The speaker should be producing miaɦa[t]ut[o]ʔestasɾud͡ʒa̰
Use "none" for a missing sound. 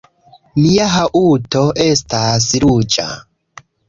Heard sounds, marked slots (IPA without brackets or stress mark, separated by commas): ʔ, o